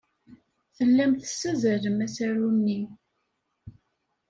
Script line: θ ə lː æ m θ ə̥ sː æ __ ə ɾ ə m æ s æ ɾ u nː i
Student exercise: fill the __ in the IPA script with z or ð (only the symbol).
z